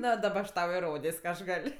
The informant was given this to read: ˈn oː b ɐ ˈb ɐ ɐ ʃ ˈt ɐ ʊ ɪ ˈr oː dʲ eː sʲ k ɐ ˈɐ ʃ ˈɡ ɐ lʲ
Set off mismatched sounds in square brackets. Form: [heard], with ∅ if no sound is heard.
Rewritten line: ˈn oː [d] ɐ ˈb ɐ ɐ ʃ ˈt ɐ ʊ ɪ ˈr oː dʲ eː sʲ k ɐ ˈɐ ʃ ˈɡ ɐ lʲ